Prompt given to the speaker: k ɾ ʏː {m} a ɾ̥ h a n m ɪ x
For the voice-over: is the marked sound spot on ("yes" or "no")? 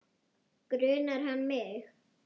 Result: no